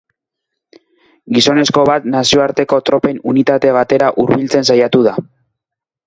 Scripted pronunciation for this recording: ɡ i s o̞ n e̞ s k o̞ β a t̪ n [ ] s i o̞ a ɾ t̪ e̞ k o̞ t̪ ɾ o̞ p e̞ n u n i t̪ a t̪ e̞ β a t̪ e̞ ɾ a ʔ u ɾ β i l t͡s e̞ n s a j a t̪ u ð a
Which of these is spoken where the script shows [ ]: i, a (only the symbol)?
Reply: a